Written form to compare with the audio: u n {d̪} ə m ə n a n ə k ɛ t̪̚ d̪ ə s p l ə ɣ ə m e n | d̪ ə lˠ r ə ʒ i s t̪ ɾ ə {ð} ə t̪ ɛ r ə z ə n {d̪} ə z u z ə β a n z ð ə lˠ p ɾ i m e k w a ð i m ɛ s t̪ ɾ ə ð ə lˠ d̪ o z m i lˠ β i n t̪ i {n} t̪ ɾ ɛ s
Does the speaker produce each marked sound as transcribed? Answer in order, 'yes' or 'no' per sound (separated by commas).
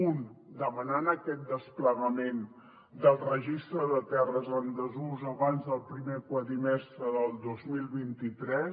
yes, yes, yes, no